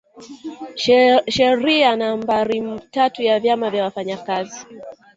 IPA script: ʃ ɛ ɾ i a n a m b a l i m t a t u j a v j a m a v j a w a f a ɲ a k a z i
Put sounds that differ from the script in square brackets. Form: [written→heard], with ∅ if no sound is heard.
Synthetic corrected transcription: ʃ ɛ ɾ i a n a m b a [l→ɾ] i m t a t u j a v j a m a v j a w a f a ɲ a k a z i